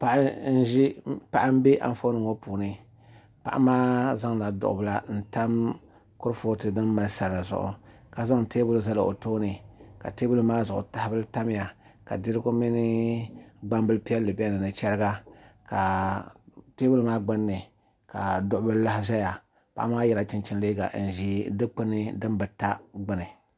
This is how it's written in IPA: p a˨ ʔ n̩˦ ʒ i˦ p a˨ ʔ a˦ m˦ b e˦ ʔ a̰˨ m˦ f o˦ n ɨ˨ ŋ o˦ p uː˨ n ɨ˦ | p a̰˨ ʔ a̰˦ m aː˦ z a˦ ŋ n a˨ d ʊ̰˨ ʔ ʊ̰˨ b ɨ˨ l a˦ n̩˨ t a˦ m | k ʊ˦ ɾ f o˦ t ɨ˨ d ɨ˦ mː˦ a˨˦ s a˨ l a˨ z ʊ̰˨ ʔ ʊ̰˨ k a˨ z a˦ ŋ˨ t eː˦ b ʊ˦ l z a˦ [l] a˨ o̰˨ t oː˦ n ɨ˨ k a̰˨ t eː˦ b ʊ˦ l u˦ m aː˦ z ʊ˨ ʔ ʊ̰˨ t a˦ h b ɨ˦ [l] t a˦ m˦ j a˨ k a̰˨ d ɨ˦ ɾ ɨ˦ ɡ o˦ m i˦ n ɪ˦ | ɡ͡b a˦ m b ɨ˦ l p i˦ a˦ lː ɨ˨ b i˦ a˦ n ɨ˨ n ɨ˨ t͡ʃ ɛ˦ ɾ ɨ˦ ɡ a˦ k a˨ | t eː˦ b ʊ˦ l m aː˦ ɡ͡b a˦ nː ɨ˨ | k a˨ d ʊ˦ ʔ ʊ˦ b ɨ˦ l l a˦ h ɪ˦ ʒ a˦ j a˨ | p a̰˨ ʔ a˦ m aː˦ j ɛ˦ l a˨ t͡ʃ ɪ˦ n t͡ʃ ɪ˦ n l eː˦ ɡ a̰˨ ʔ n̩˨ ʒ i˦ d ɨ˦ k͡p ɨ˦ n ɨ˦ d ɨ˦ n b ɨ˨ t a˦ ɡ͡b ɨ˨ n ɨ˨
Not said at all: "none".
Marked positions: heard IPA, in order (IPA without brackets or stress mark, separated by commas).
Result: l, l